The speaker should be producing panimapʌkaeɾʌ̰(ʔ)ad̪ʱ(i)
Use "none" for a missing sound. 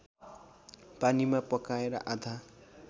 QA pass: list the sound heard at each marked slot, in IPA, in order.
ʔ, a

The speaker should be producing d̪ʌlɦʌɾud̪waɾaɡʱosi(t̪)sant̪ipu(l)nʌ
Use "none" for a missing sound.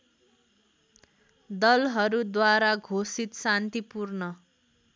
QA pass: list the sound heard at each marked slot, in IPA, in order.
t̪, r

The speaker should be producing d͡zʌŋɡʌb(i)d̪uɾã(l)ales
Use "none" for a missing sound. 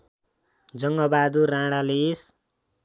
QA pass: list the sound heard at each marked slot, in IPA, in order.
a, ɽ

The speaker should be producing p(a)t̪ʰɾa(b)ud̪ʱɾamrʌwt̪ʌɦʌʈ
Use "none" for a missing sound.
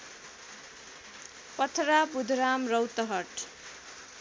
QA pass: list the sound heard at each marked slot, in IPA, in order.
ʌ, b

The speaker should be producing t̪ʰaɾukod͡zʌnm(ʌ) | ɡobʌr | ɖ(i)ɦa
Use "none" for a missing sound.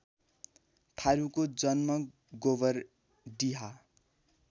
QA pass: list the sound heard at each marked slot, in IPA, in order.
ʌ, i

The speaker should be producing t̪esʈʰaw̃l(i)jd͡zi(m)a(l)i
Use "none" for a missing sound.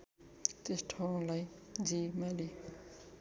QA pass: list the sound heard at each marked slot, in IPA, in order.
a, m, l

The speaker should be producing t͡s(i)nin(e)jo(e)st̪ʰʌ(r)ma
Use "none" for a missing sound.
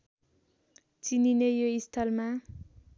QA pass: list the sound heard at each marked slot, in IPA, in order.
i, e, i, l

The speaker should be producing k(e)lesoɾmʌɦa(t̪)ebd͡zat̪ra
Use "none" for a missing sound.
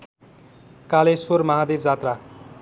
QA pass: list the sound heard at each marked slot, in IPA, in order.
a, d̪

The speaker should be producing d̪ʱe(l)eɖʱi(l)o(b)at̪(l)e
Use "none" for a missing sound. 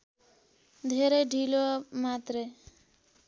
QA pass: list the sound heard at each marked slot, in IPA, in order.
ɾ, l, m, ɾ

